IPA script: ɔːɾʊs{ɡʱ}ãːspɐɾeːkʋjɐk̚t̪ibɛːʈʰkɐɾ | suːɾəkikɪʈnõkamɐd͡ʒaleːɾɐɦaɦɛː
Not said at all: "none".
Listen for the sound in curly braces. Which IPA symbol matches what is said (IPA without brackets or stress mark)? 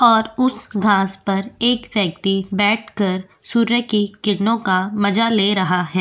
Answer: ɡʱ